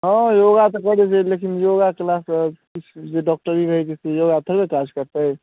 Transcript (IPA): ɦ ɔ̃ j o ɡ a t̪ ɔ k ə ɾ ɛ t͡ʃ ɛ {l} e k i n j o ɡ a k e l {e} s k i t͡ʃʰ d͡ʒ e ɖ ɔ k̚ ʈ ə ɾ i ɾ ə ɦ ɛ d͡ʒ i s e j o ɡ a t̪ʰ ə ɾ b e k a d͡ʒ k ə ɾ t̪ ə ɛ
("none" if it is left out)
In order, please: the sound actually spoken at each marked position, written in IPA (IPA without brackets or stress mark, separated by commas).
l, a